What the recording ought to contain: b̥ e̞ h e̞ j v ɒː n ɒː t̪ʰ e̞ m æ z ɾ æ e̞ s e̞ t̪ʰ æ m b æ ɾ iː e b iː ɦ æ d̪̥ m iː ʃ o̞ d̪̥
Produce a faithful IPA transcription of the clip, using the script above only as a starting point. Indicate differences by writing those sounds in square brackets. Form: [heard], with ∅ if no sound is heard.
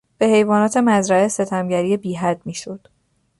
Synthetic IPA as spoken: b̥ e̞ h e̞ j v ɒː n ɒː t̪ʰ e̞ m æ z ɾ æ e̞ s e̞ t̪ʰ æ m [ɟ] æ ɾ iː e b iː ɦ æ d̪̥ m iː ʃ o̞ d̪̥